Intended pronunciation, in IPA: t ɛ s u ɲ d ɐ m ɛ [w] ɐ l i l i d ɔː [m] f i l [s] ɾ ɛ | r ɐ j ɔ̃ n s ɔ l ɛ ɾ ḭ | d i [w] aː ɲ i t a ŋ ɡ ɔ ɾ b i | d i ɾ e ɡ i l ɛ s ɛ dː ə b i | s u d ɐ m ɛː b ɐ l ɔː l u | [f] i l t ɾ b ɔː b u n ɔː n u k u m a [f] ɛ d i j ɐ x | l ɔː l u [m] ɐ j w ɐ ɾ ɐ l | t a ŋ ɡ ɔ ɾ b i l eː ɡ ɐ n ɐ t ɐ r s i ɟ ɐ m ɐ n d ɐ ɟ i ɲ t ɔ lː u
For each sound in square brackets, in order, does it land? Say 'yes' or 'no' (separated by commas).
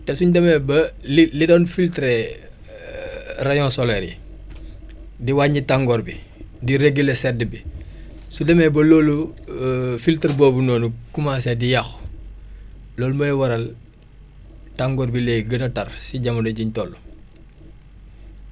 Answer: no, no, no, yes, yes, no, yes